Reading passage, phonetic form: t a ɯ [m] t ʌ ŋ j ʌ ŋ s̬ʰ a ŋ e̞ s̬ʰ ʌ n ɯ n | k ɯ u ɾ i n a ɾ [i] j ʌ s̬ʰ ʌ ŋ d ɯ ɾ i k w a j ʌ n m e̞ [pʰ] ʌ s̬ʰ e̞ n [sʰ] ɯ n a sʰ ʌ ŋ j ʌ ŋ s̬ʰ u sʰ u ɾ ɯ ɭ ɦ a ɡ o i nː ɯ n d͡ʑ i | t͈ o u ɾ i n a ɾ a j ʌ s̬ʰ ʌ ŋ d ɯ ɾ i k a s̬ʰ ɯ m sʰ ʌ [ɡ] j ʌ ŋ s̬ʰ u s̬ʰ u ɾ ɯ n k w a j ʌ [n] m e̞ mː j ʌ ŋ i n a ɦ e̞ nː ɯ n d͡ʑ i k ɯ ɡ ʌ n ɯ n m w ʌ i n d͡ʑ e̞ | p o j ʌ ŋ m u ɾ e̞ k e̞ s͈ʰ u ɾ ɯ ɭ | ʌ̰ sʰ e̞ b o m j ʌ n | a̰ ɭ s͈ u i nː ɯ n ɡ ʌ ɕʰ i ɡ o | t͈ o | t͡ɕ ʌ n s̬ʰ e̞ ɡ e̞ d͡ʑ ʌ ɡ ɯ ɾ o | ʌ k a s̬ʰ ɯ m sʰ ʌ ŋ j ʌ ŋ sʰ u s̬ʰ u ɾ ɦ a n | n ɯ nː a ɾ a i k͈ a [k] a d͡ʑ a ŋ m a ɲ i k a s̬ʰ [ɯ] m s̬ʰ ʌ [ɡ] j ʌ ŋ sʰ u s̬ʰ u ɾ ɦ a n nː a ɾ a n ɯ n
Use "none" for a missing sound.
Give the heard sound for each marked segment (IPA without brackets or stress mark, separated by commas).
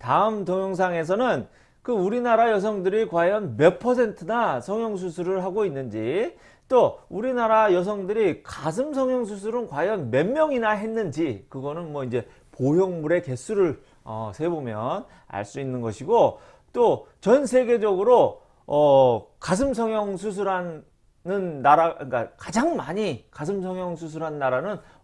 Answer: m, a, pʰ, tʰ, ŋ, n, k, ɯ, ŋ